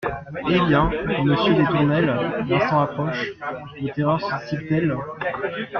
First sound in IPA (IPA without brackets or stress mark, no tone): e